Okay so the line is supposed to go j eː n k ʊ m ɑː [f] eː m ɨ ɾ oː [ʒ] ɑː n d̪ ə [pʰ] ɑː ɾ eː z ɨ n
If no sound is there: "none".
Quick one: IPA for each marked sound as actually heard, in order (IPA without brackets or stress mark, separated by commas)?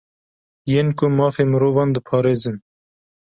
f, v, pʰ